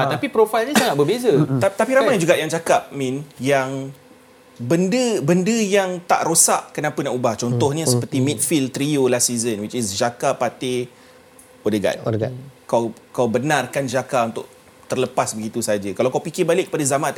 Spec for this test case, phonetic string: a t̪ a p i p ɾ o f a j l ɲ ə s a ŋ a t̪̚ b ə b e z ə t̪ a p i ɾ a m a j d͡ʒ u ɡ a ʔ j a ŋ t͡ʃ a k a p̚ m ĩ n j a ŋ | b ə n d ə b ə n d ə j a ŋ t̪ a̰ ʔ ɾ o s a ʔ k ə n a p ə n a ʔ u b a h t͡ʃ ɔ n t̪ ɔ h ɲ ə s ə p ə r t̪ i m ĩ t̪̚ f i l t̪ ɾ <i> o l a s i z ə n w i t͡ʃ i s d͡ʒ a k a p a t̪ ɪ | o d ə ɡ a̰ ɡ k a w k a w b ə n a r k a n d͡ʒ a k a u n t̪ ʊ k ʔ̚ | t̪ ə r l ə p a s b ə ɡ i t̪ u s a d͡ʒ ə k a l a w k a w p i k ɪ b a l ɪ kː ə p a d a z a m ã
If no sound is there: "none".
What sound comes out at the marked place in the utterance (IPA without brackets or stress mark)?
i